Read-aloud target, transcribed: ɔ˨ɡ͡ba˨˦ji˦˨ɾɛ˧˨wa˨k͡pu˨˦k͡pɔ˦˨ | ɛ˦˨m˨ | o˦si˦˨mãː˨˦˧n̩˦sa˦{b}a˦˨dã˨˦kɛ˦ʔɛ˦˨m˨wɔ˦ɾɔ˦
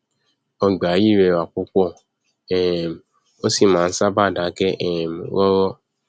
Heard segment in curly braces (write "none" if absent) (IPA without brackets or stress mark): b